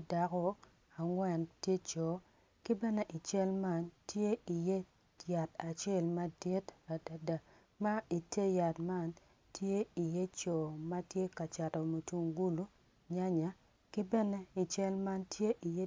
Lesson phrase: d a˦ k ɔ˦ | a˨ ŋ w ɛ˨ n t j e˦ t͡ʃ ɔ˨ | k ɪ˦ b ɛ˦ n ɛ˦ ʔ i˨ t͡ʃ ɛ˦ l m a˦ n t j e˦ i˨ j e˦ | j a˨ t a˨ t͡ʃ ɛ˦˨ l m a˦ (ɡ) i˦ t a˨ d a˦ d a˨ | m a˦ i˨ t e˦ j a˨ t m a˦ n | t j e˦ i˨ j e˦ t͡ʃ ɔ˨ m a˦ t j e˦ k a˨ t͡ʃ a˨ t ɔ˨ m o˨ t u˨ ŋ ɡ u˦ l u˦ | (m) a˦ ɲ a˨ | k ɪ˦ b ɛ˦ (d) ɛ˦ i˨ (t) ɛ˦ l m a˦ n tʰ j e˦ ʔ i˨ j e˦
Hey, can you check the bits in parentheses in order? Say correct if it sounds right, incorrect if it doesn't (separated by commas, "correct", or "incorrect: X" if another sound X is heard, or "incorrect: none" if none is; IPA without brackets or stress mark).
incorrect: d, incorrect: ɲ, incorrect: n, incorrect: t͡ʃ